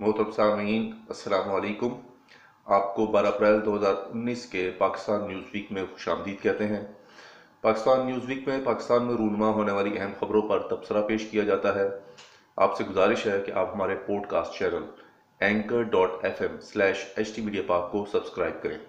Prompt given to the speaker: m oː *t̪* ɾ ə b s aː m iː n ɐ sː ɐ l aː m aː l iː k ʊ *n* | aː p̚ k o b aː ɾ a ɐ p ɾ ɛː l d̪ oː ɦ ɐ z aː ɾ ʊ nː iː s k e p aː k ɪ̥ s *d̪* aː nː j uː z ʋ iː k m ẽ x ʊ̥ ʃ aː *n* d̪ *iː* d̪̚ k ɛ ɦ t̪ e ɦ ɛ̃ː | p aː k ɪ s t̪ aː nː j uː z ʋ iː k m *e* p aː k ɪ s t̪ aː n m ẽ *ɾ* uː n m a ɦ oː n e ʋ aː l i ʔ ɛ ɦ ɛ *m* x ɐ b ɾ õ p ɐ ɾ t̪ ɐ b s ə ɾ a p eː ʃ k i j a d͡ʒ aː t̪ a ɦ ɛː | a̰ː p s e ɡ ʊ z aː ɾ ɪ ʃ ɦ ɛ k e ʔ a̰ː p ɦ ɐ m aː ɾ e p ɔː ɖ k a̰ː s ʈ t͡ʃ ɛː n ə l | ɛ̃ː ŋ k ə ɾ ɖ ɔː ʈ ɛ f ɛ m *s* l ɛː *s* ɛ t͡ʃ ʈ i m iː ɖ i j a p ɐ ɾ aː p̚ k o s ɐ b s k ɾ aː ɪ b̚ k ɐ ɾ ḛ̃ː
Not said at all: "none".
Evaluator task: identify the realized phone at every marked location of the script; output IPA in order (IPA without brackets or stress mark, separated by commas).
t̪, m, t̪, m, iː, ẽ, ɾ, m, s, ʃ